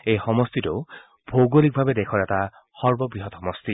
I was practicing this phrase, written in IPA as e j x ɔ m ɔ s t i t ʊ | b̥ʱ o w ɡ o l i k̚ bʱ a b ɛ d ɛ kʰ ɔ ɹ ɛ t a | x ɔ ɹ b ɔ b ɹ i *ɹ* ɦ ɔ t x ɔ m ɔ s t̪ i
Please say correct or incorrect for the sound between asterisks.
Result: incorrect